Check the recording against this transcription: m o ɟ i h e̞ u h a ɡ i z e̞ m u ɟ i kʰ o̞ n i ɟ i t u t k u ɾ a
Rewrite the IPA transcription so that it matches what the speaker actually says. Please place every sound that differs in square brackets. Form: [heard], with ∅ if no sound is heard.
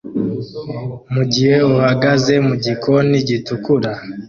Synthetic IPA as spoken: m [u] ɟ i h e̞ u h a ɡ [a] z e̞ m u ɟ i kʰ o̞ n i ɟ i t u [∅] k u ɾ a

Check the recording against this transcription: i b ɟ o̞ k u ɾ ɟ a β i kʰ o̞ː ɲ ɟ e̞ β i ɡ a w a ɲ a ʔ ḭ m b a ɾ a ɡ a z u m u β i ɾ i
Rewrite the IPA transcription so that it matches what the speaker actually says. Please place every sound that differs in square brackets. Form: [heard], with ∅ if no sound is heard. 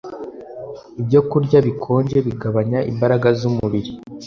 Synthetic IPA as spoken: i b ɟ o̞ k u ɾ ɟ a β i kʰ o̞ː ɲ ɟ e̞ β i ɡ a [β] a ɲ a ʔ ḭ m b a ɾ a ɡ a z u m u β i ɾ i

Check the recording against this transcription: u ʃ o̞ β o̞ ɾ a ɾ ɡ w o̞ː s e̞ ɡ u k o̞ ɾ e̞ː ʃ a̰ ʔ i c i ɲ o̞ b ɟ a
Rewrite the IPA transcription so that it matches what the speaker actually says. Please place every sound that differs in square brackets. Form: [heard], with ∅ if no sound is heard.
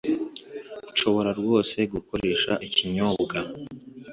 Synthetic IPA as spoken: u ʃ o̞ β o̞ ɾ a ɾ ɡ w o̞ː s e̞ ɡ u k o̞ ɾ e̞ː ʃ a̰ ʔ i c i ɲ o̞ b [ɡ] a

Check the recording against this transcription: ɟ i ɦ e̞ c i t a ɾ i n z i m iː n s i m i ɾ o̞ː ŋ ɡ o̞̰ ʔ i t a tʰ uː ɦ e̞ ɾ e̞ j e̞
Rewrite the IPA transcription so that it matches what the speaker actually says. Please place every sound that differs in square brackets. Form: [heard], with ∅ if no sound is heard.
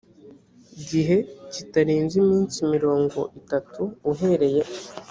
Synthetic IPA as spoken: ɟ i ɦ e̞ c i t a ɾ [iː] n z i m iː n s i m i ɾ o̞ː ŋ ɡ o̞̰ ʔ i t a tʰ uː ɦ e̞ ɾ e̞ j e̞

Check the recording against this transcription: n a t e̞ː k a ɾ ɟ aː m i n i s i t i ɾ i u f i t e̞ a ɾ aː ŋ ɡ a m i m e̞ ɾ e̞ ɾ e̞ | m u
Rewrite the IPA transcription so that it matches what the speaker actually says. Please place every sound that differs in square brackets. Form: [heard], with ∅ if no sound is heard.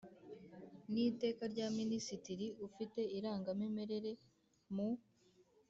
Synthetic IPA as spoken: n [i] t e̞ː k a ɾ ɟ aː m i n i s i t i ɾ i u f i t e̞ [i] ɾ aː ŋ ɡ a m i m e̞ ɾ e̞ ɾ e̞ | m u

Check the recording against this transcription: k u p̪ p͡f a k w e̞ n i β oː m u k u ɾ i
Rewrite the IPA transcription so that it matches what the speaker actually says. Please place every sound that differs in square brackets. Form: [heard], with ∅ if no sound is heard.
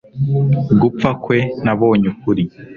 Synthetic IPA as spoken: [ɡ] u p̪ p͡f a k w e̞ n [a] β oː [ɲ] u k u ɾ i

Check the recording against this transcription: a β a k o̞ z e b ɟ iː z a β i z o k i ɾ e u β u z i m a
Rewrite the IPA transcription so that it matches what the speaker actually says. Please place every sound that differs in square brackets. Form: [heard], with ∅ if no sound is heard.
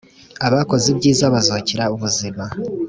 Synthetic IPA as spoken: a β a k o̞ z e b ɟ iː z a β [a] z o [c] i ɾ [a] u β u z i m a

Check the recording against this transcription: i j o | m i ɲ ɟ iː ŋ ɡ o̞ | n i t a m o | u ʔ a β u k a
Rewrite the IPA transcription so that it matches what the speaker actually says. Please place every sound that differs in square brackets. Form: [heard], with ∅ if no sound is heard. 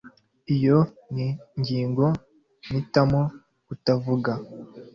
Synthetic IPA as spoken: i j o | [n] i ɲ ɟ iː ŋ ɡ o̞ | n i t a m o | u [t] a [v] u [ɡ] a

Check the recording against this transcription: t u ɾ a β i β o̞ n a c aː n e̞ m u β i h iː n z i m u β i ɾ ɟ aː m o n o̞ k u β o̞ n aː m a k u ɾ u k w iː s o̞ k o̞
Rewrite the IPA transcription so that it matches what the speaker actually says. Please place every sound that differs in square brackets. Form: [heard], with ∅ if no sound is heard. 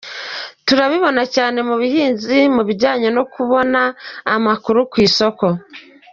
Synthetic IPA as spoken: t u ɾ a β i β o̞ n a c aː n e̞ m u β i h iː n z i m u β i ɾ ɟ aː [ɲ] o n o̞ k u β o̞ n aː m a k u ɾ u k w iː s o̞ k o̞

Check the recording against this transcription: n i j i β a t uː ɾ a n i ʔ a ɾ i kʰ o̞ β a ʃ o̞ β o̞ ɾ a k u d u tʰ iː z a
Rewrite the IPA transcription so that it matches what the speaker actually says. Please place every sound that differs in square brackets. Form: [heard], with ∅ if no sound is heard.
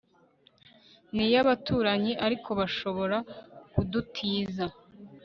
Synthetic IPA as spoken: n i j [a] β a t uː ɾ a [ɲ] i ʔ a ɾ i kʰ o̞ β a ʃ o̞ β o̞ ɾ a k u d u tʰ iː z a

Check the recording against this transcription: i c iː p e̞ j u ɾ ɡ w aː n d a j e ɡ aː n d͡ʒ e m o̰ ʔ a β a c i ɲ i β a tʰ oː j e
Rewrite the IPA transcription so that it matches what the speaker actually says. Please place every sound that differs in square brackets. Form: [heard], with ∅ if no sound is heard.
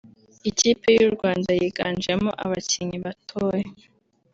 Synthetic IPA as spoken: i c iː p e̞ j u ɾ ɡ w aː n d a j [i] ɡ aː n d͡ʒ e m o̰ ʔ a β a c i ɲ i β a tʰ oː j e

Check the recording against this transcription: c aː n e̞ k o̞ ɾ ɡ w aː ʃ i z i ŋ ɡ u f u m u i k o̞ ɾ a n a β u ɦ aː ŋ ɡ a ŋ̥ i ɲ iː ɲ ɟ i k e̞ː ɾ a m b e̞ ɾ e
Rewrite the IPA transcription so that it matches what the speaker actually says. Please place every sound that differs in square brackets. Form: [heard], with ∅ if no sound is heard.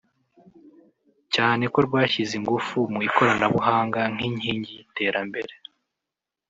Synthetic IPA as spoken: c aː n e̞ k o̞ ɾ ɡ w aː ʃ i z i ŋ ɡ u f u m u i k o̞ ɾ a n a β u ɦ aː ŋ ɡ a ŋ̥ i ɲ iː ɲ ɟ i [t] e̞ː ɾ a m b e̞ ɾ e

